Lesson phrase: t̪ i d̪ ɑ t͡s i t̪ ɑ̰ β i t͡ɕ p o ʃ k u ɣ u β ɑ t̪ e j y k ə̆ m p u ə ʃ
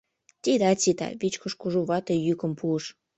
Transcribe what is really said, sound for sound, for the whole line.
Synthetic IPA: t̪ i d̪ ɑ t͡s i t̪ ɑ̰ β i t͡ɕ k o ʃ k u ʒ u β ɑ t̪ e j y k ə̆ m p u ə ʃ